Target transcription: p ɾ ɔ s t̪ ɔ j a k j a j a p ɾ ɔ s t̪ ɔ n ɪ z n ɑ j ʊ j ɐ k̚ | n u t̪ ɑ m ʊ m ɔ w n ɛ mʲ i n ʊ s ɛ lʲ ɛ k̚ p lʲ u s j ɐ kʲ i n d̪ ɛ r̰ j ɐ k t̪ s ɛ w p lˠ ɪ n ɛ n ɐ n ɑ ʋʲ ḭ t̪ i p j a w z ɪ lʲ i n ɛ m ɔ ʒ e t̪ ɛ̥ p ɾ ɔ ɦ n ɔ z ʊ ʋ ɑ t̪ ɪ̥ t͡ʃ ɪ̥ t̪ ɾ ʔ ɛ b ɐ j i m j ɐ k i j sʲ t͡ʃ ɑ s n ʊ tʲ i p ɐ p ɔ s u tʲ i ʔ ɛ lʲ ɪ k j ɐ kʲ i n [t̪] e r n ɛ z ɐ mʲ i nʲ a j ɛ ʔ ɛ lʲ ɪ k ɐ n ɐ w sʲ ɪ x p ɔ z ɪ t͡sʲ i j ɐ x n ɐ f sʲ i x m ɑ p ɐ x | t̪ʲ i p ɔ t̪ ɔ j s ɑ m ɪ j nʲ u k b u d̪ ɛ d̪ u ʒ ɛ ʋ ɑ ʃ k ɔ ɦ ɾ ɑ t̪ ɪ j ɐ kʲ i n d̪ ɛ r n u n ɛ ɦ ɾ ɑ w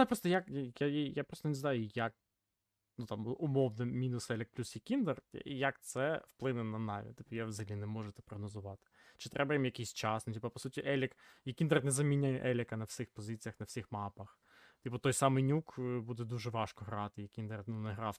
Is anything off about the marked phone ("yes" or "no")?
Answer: yes